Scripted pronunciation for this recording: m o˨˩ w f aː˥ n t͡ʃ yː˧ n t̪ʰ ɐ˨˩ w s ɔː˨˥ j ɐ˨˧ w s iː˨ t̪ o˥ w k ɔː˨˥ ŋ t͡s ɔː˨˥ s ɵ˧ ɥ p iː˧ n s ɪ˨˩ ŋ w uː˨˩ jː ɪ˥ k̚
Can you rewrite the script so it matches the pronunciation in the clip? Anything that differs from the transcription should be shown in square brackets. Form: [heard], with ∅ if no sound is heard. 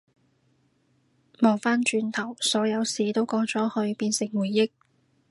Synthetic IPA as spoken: m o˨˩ w f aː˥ n t͡ʃ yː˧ n t̪ʰ ɐ˨˩ w s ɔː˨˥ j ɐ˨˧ w s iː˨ t̪ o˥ w k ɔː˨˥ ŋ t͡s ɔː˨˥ [h] ɵ˧ ɥ p iː˧ n s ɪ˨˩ ŋ w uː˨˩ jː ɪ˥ k̚